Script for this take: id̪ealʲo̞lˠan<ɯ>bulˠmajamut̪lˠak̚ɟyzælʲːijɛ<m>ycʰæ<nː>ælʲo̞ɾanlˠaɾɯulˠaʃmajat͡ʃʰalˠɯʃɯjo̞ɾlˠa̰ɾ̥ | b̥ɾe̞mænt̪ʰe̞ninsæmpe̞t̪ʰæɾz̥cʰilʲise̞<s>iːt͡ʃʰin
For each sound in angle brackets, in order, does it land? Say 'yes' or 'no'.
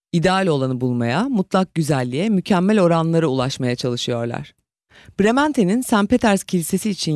yes, yes, no, yes

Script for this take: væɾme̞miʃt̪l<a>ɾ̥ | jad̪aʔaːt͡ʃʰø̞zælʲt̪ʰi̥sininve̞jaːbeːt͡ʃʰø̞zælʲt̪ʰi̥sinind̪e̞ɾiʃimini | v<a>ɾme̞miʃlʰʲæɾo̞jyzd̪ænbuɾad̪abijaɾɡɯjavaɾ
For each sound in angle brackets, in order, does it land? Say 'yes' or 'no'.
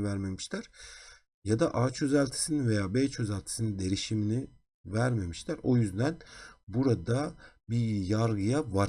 no, no

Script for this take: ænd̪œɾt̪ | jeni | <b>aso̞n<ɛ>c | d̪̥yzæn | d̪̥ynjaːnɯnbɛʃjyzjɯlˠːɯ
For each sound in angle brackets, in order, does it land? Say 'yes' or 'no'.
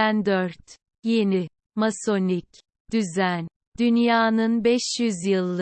no, no

